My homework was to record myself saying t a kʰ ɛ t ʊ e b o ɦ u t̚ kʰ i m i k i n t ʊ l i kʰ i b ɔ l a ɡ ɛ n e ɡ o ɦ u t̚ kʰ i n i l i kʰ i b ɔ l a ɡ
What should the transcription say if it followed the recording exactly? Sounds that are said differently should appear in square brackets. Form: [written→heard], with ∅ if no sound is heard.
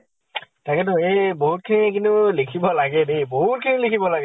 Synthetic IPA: t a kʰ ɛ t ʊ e b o ɦ u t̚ kʰ i [m→n] i k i n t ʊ l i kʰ i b ɔ l a ɡ ɛ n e [ɡ→b] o ɦ u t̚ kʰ i n i l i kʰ i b ɔ l a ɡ